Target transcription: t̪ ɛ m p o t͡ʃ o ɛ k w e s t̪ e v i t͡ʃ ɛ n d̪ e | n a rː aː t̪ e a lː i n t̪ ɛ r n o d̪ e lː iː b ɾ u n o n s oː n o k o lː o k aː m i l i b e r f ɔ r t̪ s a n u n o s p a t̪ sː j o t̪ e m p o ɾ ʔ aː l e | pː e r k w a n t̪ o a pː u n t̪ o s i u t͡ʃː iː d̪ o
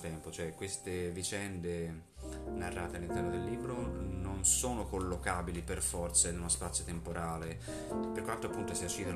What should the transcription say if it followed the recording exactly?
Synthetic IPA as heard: t̪ ɛ m p o t͡ʃ o ɛ k w e s t̪ e v i t͡ʃ ɛ n d̪ e | n a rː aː t̪ e a lː i n t̪ ɛ r n o d̪ e lː iː b ɾ o n o n s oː n o k o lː o k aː b i l i p e r f ɔ r t̪ s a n u n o s p a t̪ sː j o t̪ e m p o ɾ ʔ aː l e | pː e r k w a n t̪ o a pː u n t̪ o s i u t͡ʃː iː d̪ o